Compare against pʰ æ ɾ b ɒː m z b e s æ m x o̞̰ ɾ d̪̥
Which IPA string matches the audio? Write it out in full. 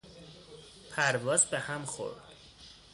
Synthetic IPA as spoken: pʰ æ ɾ v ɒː z b e h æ m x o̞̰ ɾ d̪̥